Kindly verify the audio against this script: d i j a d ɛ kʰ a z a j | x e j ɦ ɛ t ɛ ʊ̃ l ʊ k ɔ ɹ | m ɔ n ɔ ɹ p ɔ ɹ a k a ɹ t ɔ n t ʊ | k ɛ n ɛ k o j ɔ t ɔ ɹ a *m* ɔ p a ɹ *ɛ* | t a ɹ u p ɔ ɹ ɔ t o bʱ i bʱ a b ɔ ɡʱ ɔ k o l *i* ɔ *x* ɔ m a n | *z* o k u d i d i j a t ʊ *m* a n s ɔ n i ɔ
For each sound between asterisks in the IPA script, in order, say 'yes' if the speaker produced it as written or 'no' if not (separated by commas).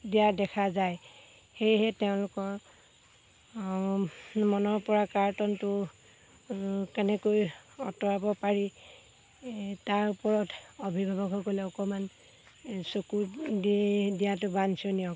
no, no, no, no, no, no